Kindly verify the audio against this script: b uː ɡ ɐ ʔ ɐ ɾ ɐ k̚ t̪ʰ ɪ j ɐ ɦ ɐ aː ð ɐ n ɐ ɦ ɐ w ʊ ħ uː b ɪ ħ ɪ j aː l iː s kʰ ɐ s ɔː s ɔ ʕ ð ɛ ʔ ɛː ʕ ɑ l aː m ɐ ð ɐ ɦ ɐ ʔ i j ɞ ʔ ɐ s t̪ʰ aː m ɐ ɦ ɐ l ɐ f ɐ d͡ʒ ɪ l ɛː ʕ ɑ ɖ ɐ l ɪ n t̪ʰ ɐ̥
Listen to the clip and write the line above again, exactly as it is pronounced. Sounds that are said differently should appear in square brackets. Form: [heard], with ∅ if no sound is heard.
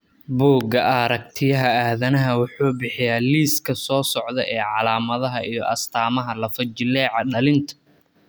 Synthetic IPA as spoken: b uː ɡ ɐ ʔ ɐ ɾ ɐ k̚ t̪ʰ ɪ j ɐ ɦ ɐ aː ð ɐ n ɐ ɦ ɐ w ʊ ħ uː b ɪ ħ ɪ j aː l iː s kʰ ɐ s ɔː s ɔ ʕ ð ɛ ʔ ɛː ʕ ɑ l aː m ɐ ð ɐ ɦ ɐ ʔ i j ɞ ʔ ɐ s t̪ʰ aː m ɐ ɦ ɐ l ɐ f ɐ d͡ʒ ɪ l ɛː ʕ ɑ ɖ ɐ l ɪ n t̪ʰ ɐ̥